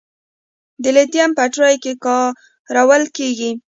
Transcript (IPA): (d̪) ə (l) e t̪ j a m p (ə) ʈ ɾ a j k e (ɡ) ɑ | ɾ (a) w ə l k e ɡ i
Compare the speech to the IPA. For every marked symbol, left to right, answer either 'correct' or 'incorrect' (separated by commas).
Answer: correct, correct, incorrect, incorrect, correct